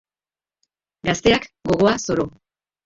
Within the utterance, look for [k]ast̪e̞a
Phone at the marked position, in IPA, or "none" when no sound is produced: ɡ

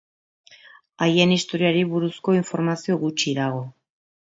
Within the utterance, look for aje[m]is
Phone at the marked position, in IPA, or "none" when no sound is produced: n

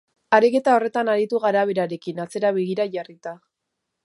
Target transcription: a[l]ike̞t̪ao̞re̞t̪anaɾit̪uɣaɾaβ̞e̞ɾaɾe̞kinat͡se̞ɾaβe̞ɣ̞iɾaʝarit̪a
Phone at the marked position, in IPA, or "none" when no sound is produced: ɾ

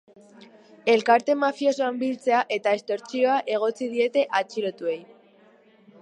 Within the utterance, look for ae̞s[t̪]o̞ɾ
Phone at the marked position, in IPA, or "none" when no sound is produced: t̪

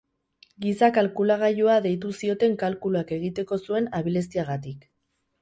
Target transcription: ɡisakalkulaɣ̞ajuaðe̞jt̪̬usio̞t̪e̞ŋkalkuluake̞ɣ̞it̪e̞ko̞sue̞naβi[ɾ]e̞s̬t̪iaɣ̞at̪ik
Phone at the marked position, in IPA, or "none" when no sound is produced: l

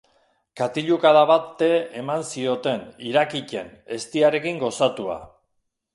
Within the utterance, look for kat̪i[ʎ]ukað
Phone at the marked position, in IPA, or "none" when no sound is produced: ʎ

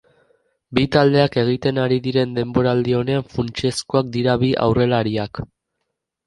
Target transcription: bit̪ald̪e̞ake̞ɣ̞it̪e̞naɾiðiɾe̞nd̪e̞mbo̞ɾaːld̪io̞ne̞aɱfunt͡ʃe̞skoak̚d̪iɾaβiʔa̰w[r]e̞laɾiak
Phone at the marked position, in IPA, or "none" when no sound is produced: r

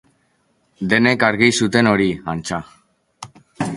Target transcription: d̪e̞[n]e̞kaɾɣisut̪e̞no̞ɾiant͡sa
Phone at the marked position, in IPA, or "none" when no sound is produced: n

